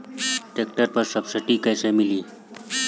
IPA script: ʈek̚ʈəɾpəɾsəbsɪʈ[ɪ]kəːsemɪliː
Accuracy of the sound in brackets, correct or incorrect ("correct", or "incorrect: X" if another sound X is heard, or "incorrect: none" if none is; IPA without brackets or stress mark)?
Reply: incorrect: i